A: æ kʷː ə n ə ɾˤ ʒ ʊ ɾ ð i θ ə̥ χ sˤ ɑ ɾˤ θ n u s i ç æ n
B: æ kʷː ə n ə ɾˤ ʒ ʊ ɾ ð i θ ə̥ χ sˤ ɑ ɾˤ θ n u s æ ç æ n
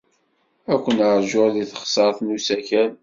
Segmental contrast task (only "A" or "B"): B